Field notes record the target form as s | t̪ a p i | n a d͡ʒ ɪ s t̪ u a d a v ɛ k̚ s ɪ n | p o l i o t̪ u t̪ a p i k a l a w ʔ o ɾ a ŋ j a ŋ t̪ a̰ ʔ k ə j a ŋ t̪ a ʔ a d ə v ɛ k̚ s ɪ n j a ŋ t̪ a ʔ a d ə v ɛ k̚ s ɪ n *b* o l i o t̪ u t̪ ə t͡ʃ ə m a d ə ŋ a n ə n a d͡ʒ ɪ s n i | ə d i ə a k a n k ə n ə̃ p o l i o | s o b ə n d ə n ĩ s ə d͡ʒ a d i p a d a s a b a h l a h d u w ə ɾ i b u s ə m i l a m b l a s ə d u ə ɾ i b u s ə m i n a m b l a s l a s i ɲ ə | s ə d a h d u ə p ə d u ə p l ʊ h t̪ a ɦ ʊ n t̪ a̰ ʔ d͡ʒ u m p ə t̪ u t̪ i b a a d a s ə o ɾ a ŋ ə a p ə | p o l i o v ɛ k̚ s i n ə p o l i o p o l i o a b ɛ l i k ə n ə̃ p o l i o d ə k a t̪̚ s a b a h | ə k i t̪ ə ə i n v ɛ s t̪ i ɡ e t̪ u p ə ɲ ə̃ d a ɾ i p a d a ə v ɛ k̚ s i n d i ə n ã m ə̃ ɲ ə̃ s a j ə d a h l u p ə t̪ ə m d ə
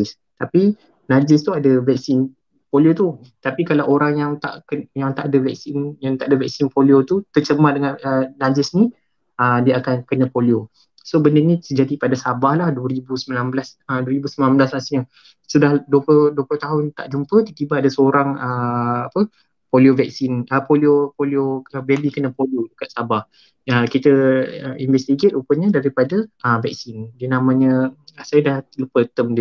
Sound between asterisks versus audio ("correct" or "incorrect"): incorrect